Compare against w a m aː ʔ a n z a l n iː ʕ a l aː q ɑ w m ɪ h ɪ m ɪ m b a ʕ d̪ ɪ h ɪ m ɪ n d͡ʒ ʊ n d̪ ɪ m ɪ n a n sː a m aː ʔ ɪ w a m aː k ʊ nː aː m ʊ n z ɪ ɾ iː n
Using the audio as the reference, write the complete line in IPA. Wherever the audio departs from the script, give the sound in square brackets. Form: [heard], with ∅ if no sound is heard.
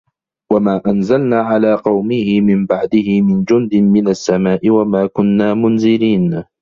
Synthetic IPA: w a m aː ʔ a n z a l n [aː] ʕ a l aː q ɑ w m ɪ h ɪ m ɪ m b a ʕ d̪ ɪ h ɪ m ɪ n d͡ʒ ʊ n d̪ ɪ m ɪ n a [∅] sː a m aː ʔ ɪ w a m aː k ʊ nː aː m ʊ n z ɪ ɾ iː n